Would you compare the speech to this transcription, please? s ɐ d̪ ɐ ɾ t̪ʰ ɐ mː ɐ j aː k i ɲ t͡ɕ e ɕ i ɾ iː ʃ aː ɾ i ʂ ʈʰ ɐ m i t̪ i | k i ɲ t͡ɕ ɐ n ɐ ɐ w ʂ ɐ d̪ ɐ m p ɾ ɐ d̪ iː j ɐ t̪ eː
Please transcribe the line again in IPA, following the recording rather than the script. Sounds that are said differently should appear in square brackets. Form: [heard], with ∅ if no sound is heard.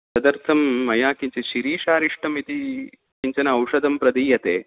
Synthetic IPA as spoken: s ɐ d̪ ɐ ɾ t̪ʰ ɐ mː ɐ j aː k i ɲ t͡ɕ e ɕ i ɾ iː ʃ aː ɾ i ʂ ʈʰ ɐ m i t̪ i | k i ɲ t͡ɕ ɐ n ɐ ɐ w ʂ ɐ d̪ ɐ m p ɾ ɐ d̪ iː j ɐ t̪ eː